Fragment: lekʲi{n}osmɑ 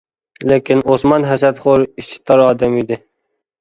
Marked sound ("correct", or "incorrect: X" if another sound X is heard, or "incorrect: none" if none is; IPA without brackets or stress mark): correct